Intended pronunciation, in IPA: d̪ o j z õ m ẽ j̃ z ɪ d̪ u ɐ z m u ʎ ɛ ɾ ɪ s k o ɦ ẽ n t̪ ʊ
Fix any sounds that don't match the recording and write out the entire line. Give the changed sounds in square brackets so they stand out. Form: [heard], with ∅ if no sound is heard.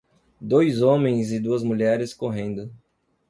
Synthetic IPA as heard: d̪ o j z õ m ẽ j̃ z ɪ d̪ u ɐ z m u ʎ ɛ ɾ ɪ s k o ɦ ẽ n [d̪] ʊ

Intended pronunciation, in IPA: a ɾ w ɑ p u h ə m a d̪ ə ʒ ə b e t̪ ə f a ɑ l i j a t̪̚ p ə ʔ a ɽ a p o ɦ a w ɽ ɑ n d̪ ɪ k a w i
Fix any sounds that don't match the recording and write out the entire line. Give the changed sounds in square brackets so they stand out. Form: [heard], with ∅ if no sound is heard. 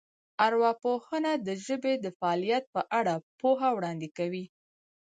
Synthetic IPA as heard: a ɾ w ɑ p [o] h ə [n] a d̪ ə ʒ ə b e [d̪] ə f a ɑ l i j a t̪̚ p ə ʔ a ɽ a p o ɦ a w ɽ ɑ n d̪ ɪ k a w i

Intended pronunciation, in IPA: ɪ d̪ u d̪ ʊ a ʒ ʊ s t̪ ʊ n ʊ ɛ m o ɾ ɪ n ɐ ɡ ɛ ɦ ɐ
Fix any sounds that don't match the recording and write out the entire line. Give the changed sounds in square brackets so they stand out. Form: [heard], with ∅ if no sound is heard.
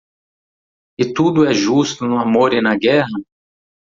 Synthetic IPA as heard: ɪ [t̪] u d̪ ʊ [ɛ] ʒ [u] s t̪ ʊ n ʊ [a] m o ɾ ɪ n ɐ ɡ ɛ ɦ ɐ

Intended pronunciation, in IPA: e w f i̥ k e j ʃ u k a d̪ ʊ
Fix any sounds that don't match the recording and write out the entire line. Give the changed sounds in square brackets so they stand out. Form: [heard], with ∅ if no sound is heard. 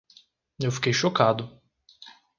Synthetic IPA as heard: e w f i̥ k e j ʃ [o] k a d̪ ʊ

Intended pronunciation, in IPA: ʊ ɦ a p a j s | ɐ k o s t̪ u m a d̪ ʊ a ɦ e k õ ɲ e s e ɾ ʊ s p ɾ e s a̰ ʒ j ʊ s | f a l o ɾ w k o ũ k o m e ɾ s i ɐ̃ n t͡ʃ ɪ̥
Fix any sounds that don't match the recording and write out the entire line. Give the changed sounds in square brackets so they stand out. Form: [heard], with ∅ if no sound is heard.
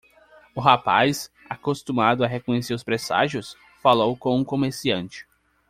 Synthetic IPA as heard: ʊ ɦ a p a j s | [a] k o s t̪ u m a d̪ ʊ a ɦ e k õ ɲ e s e ɾ ʊ s p ɾ e s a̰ ʒ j ʊ s | f a l o [∅] w k [õ] ũ k o m e ɾ s i ɐ̃ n t͡ʃ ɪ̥

